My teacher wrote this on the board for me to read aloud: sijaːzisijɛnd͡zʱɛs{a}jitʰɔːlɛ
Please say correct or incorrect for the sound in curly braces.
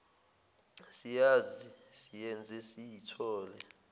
incorrect